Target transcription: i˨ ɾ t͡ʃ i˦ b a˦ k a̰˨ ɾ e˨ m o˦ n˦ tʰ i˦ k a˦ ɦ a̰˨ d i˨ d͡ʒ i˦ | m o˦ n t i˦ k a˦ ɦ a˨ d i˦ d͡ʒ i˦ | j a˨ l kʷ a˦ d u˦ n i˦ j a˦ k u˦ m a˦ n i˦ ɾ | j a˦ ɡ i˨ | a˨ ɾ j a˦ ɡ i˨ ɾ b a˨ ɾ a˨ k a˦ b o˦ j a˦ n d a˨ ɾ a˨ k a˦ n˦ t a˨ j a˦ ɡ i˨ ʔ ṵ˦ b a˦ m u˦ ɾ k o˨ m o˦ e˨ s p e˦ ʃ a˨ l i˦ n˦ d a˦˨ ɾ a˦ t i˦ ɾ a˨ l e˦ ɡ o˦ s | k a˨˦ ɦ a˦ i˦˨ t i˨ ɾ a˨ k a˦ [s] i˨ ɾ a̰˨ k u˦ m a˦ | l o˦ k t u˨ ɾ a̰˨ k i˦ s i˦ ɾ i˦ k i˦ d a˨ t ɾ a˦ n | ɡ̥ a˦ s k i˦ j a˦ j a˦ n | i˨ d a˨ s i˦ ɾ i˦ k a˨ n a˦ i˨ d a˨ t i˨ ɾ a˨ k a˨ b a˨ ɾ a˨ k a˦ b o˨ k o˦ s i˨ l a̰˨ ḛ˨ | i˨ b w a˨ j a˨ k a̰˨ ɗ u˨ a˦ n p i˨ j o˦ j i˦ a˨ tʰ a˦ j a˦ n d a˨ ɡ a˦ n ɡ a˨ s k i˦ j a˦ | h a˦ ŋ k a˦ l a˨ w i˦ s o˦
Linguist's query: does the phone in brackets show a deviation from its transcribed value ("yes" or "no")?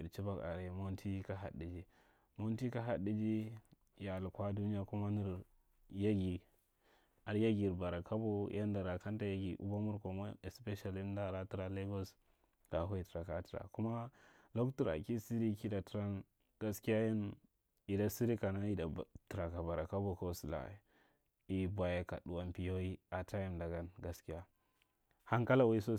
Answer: yes